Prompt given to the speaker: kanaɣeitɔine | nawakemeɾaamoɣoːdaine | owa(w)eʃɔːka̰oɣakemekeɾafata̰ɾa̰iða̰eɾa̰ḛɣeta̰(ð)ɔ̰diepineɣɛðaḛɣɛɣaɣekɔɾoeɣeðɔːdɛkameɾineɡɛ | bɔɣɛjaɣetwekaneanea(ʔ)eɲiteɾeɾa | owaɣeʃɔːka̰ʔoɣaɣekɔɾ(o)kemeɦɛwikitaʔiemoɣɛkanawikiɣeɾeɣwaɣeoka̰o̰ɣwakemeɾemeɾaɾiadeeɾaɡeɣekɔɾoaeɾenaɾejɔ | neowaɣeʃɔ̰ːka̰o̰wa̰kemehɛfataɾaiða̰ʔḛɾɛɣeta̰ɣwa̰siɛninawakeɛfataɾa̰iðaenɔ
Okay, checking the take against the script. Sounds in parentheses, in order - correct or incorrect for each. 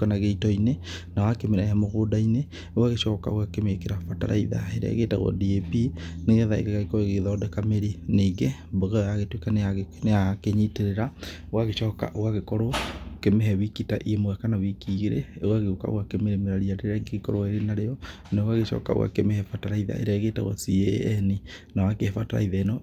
incorrect, incorrect, incorrect, correct

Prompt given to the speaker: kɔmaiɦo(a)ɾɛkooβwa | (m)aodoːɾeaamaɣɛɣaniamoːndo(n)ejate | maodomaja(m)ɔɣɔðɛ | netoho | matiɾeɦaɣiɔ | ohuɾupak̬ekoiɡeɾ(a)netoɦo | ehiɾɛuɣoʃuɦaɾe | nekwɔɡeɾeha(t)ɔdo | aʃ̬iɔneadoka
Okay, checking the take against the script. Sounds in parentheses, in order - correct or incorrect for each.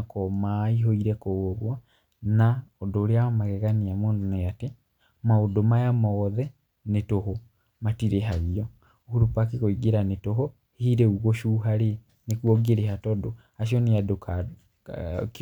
incorrect, incorrect, correct, correct, correct, correct

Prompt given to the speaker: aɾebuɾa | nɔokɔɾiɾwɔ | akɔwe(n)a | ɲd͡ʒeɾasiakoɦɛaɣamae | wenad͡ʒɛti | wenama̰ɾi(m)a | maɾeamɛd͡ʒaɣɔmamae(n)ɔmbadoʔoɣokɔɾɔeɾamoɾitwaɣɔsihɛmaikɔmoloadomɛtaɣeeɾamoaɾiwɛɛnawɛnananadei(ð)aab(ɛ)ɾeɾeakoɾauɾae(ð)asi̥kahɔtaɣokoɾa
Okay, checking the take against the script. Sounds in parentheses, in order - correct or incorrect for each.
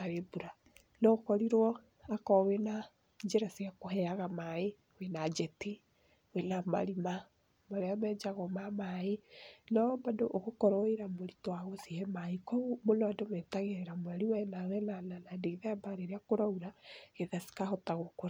correct, correct, correct, correct, incorrect, correct

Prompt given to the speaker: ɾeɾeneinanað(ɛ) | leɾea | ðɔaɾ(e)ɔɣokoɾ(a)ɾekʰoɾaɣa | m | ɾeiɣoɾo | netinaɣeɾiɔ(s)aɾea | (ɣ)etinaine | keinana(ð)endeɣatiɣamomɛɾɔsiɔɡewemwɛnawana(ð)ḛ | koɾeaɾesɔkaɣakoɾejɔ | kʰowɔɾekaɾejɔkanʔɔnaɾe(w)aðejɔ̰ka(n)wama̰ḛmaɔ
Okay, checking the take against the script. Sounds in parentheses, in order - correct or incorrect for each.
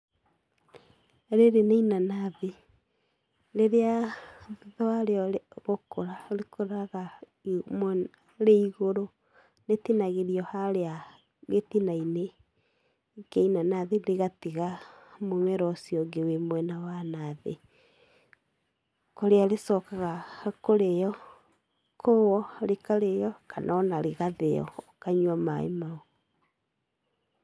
incorrect, correct, correct, incorrect, correct, correct, correct, incorrect, incorrect

